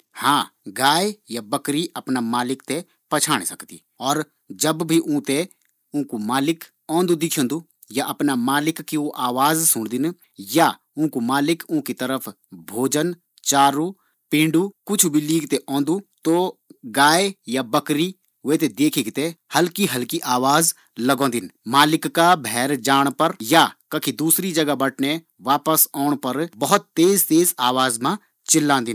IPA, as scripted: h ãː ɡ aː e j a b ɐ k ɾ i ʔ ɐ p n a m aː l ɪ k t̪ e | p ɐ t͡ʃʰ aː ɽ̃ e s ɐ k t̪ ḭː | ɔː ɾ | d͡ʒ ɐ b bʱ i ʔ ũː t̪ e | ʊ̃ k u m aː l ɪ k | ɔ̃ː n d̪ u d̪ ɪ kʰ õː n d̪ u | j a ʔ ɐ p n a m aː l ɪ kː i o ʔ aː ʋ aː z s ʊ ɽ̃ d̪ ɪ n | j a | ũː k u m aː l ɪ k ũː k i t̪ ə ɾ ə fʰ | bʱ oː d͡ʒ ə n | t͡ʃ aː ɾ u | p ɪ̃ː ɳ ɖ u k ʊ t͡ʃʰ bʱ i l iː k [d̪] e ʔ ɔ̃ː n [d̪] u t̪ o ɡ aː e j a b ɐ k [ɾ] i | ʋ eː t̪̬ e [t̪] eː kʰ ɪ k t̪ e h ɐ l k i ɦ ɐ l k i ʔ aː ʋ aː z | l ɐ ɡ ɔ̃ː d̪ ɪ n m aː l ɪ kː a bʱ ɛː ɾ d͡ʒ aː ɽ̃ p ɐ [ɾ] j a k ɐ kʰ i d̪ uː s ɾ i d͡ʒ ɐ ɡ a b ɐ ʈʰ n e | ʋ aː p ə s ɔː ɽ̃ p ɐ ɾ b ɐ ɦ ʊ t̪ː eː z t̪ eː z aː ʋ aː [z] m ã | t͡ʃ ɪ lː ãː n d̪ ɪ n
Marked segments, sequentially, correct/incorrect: incorrect: t̪, correct, correct, incorrect: d̪, correct, correct

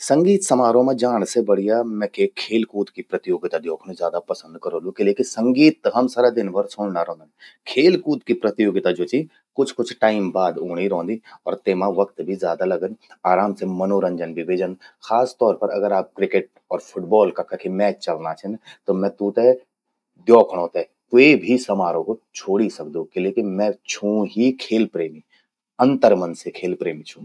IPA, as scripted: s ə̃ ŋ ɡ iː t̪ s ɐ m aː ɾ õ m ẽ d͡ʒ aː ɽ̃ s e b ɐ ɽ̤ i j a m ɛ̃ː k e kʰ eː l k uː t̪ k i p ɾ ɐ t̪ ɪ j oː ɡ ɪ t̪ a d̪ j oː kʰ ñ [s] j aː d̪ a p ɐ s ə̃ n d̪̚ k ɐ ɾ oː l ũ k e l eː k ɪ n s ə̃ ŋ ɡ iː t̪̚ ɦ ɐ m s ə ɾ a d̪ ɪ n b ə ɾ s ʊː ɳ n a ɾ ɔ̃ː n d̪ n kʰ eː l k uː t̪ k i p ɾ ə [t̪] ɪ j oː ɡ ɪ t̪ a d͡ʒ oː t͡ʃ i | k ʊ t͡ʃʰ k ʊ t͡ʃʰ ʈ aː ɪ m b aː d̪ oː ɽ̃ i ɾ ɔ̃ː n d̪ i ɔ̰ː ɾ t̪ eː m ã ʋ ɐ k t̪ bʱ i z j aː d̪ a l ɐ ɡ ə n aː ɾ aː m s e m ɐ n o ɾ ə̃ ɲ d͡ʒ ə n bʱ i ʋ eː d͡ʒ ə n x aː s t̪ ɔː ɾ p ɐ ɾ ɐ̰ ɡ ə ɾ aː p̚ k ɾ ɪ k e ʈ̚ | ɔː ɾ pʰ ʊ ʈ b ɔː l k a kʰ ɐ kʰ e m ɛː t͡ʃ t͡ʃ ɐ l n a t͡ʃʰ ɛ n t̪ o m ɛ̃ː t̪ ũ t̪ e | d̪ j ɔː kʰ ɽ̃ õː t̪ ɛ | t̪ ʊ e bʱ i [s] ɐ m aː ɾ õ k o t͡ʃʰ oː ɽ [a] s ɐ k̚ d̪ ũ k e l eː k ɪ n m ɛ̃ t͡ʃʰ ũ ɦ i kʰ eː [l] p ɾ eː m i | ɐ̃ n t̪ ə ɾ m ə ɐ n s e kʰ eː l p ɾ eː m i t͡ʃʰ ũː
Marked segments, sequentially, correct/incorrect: incorrect: z, correct, correct, incorrect: i, correct

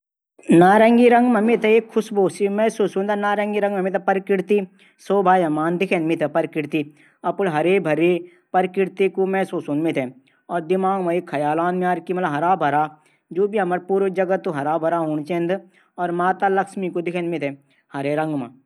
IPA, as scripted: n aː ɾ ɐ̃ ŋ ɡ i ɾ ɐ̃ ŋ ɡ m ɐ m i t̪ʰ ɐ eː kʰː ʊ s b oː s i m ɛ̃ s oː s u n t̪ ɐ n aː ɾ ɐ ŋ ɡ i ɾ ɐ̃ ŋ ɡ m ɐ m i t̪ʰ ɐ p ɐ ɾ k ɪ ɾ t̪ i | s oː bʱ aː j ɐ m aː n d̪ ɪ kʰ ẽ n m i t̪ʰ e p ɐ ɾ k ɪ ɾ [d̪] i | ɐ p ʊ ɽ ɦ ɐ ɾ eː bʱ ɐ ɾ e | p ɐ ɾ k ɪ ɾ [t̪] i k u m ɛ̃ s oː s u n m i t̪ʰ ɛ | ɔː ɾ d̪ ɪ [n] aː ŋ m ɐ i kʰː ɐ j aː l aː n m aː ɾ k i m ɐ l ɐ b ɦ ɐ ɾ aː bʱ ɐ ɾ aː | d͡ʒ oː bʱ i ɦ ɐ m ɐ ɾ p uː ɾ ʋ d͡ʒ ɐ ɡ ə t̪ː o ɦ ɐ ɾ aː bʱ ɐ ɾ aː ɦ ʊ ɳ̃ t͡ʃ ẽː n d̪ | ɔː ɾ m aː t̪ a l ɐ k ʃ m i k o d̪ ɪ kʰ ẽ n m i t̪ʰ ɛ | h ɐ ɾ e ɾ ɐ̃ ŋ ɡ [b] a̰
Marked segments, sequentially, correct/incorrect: incorrect: t̪, correct, incorrect: m, incorrect: m

